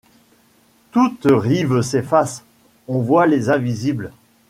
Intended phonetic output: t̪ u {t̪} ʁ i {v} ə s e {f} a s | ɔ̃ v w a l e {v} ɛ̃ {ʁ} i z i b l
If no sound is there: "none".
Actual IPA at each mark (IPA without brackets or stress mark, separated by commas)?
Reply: t̪, v, f, z, v